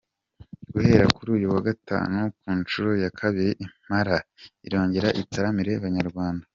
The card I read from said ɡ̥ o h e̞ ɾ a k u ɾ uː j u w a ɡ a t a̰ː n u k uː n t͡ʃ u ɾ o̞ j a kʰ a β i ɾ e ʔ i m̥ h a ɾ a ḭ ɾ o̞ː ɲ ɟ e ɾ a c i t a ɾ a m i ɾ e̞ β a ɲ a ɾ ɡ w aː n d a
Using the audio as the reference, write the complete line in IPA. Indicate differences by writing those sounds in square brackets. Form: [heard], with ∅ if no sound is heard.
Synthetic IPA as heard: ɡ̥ [u] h e̞ ɾ a k u ɾ uː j u w a ɡ a t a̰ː n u k uː n t͡ʃ u ɾ o̞ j a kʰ a β i ɾ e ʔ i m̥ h a ɾ a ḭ ɾ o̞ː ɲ ɟ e ɾ a [ʔ] i t a ɾ a m i ɾ e̞ β a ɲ a ɾ ɡ w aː n d a